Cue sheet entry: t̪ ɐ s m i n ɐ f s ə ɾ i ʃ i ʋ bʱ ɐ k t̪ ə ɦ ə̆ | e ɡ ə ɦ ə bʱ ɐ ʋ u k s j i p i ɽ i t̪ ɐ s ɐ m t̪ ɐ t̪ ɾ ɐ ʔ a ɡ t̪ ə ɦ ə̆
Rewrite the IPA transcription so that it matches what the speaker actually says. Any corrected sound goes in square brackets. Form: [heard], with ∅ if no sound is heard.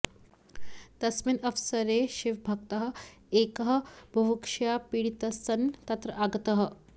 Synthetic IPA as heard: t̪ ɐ s m i n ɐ f s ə ɾ [e] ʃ i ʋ bʱ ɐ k t̪ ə ɦ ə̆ | e [k] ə ɦ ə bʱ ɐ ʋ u k [ʂ] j [a] p i ɽ i t̪ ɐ s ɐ [n] t̪ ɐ t̪ ɾ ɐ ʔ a ɡ t̪ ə ɦ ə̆